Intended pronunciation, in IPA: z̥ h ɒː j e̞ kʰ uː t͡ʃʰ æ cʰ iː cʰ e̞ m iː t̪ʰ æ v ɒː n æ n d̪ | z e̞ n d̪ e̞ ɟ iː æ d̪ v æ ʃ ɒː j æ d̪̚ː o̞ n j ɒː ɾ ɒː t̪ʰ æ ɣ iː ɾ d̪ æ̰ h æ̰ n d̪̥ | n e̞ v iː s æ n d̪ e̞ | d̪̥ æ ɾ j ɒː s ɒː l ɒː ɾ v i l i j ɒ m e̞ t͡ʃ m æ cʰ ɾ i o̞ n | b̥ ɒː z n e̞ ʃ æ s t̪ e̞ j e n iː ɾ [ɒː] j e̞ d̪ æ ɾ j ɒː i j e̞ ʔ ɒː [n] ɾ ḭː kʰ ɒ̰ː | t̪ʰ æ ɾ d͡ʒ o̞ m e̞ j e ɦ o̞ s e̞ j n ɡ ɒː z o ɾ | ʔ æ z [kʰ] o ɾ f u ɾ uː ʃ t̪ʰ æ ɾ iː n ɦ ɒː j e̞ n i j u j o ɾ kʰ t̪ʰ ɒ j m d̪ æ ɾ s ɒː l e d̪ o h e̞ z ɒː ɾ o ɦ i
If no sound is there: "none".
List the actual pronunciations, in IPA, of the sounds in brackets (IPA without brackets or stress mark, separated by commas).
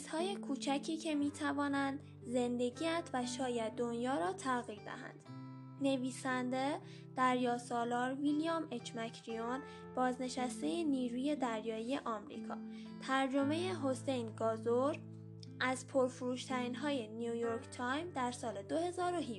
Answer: uː, m, pʰ